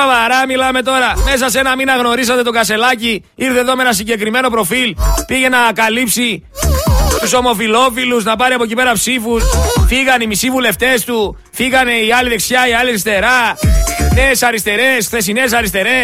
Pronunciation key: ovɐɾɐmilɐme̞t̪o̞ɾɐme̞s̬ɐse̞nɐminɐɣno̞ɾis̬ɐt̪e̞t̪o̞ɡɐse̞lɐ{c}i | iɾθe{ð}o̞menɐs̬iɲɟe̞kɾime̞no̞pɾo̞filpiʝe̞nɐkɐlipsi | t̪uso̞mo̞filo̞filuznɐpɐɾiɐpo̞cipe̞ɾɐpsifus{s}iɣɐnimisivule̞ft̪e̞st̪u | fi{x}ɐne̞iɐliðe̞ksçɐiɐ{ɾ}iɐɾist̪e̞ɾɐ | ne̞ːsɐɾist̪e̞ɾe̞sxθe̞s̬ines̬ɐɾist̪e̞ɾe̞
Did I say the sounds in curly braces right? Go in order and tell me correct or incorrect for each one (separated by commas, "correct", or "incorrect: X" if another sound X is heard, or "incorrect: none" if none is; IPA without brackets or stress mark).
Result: correct, correct, incorrect: f, incorrect: ɣ, incorrect: l